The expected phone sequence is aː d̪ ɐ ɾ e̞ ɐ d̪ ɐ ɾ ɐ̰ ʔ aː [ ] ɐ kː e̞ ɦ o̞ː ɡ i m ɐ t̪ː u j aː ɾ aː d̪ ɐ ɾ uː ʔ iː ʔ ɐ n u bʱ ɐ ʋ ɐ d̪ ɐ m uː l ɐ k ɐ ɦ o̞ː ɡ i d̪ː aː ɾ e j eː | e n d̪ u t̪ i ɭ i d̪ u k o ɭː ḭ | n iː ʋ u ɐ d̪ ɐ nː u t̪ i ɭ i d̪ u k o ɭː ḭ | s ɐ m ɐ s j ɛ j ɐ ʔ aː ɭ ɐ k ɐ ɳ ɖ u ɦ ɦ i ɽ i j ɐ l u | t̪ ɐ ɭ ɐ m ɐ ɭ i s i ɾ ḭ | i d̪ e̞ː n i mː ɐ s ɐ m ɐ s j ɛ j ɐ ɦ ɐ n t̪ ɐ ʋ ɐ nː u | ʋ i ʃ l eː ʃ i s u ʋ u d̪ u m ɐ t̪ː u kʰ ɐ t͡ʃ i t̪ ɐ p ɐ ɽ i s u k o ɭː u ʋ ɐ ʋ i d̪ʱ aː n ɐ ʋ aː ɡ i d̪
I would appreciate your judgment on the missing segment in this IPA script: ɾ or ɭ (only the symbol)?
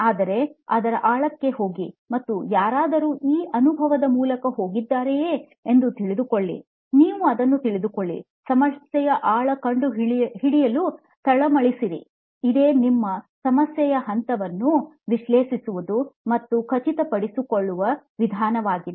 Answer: ɭ